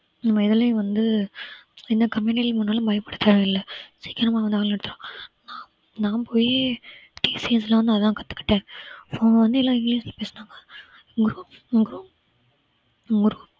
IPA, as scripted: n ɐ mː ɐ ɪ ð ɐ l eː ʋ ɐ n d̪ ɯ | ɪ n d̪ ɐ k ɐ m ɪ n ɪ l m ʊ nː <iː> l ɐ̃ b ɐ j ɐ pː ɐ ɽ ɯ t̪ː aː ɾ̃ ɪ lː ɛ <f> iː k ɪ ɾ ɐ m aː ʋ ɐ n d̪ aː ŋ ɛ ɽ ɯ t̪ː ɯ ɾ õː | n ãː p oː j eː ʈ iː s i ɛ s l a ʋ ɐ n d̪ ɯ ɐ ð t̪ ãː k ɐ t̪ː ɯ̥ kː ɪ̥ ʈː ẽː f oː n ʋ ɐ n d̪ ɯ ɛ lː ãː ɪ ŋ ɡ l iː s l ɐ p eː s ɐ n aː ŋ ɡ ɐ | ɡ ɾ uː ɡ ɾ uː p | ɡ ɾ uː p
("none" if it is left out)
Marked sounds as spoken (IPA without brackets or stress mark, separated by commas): aː, s